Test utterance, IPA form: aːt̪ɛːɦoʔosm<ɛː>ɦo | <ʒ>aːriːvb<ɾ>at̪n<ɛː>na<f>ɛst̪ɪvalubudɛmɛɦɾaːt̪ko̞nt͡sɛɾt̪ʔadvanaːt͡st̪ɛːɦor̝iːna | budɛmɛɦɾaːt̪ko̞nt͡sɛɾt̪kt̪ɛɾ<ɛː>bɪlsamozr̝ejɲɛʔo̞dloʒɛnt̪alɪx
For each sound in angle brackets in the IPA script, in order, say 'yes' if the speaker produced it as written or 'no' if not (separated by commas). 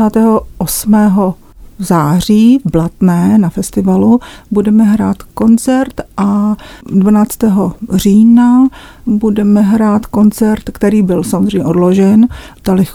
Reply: yes, no, no, yes, yes, no